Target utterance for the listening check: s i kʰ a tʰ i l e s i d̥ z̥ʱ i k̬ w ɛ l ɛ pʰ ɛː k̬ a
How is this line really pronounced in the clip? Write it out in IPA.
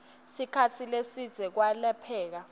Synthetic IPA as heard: s i kʰ a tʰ i l e s i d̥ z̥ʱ ɛ k̬ w a l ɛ pʰ ɛː k̬ a